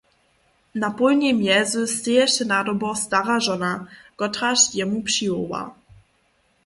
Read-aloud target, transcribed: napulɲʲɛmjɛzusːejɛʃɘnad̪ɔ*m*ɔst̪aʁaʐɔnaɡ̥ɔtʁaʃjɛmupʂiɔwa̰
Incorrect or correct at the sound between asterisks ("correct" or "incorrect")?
incorrect